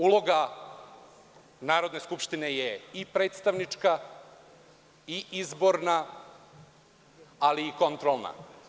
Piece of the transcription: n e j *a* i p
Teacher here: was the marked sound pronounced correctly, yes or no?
no